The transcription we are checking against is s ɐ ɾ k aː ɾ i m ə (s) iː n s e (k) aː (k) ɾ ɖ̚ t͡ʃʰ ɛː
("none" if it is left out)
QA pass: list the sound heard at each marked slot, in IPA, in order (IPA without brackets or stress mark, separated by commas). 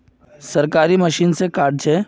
ʃ, k, none